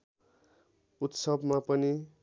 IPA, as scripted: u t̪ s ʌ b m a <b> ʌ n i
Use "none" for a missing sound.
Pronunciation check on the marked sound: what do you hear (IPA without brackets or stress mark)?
p